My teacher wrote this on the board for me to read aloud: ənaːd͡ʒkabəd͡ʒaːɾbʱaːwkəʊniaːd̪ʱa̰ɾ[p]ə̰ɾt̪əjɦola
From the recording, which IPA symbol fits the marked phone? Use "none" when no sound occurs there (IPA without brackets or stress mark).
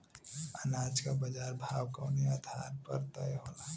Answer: p